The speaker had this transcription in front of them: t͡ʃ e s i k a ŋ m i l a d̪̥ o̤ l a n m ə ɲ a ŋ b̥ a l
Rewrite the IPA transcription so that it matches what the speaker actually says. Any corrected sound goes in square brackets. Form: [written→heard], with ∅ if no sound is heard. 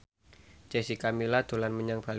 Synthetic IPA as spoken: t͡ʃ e s i k a [ŋ→∅] m i l a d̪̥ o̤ l a n m ə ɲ a ŋ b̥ a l

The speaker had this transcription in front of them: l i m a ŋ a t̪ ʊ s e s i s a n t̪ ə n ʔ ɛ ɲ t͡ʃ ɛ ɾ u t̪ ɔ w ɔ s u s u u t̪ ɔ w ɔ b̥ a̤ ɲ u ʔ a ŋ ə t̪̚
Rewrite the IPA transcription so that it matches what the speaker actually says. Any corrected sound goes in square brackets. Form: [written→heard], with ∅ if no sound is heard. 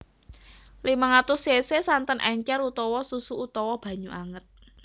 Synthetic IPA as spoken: l i m a ŋ a t̪ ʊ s e s [i→e] s a n t̪ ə n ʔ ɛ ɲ t͡ʃ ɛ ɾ u t̪ ɔ w ɔ s u s u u t̪ ɔ w ɔ b̥ a̤ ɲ u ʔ a ŋ ə t̪̚

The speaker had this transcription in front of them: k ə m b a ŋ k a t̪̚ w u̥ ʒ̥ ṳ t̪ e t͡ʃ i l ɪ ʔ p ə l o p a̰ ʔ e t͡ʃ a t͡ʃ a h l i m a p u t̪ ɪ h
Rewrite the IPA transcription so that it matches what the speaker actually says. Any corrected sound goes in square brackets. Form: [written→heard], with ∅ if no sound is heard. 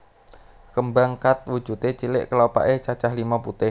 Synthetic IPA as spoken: k ə m b a ŋ k a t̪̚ w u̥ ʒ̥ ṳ t̪ e t͡ʃ i l ɪ ʔ [p→k] ə l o p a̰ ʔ e t͡ʃ a t͡ʃ a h l i m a p u t̪ ɪ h

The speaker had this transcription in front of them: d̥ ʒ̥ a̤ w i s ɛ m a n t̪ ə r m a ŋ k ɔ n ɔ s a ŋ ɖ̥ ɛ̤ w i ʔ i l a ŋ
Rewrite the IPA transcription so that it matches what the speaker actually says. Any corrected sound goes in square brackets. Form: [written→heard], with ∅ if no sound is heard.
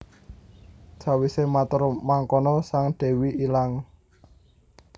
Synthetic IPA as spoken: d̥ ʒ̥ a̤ w i s [ɛ→e] m a [n→∅] t̪ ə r m a ŋ k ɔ n ɔ s a ŋ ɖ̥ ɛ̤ w i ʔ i l a ŋ

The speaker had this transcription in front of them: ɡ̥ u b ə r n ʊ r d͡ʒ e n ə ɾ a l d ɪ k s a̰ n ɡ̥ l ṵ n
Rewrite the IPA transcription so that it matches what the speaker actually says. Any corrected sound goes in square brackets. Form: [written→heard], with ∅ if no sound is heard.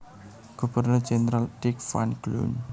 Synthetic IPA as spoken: ɡ̥ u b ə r n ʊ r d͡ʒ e n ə ɾ a l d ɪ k [s→f] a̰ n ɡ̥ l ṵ n

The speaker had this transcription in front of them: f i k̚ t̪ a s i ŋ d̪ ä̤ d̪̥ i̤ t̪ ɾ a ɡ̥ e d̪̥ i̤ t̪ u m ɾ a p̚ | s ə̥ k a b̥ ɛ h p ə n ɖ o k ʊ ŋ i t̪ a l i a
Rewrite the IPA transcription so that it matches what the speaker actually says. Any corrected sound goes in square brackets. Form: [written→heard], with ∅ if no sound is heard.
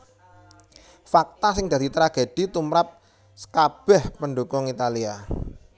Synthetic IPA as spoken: f [i→a] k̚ t̪ a s [i→ɪ] ŋ d̪ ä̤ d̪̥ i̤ t̪ ɾ a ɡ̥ e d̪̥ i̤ t̪ u m ɾ a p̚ | s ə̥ k a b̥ ɛ h p ə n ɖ o k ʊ ŋ i t̪ a l i a

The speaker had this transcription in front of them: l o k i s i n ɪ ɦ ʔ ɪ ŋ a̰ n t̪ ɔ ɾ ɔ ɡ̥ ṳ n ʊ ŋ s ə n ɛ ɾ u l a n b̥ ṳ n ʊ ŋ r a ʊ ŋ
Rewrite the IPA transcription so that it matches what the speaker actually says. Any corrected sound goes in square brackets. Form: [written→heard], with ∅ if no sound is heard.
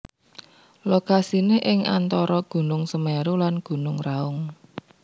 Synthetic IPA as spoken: l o k [i→a] s i n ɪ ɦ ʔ ɪ ŋ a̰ n t̪ ɔ ɾ ɔ ɡ̥ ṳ n ʊ ŋ s ə [n→m] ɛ ɾ u l a n [b̥→ɡ̥] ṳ n ʊ ŋ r a ʊ ŋ

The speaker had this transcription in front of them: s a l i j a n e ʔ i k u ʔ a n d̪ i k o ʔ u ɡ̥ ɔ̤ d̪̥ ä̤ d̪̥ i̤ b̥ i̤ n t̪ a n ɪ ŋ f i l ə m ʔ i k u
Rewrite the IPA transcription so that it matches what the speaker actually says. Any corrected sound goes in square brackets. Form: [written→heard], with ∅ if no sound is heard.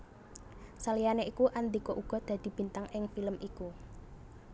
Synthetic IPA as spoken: s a l i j a n e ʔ i k u ʔ a n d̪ i k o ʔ u ɡ̥ ɔ̤ d̪̥ ä̤ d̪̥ i̤ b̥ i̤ n t̪ a [n→ŋ] ɪ ŋ f i l ə m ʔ i k u

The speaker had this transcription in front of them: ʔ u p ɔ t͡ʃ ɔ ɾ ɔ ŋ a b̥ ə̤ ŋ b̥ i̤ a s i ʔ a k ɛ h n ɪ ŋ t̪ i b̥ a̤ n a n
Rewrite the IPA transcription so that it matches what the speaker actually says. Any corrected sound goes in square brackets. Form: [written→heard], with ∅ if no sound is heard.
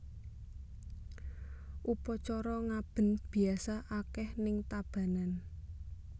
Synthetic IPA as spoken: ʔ u p ɔ t͡ʃ ɔ ɾ ɔ ŋ a b̥ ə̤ [ŋ→n] b̥ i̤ a s [i→a] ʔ a k ɛ h n ɪ ŋ t̪ [i→a] b̥ a̤ n a n

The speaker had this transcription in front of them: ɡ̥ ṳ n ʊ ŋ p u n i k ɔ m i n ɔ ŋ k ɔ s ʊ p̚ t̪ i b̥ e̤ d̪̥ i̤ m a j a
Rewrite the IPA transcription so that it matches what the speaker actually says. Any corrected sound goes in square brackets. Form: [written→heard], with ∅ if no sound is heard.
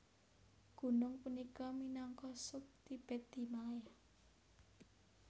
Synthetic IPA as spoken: ɡ̥ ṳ n ʊ ŋ p u n i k ɔ m i n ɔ ŋ k ɔ s ʊ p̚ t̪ i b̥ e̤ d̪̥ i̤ m a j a

